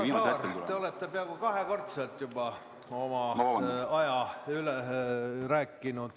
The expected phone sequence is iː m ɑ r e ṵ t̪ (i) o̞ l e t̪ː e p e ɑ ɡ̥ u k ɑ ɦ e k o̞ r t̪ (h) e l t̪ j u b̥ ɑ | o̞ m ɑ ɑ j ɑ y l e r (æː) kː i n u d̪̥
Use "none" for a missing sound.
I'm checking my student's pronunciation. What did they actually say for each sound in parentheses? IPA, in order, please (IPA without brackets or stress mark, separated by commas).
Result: e, s, æː